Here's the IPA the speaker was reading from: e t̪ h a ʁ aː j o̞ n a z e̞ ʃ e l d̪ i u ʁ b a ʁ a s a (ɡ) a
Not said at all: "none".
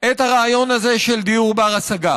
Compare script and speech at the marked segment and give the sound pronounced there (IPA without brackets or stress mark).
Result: ɡ